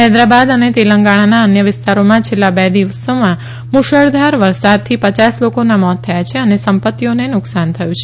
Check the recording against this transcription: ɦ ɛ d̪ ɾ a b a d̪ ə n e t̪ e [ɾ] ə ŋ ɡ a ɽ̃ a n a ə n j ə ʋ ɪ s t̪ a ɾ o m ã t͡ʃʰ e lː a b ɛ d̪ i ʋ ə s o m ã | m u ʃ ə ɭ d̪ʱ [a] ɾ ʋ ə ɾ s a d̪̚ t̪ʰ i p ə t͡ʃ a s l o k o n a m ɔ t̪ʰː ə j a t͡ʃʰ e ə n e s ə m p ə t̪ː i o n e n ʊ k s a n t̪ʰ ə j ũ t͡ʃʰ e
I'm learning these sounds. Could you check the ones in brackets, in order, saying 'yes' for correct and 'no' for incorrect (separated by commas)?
no, yes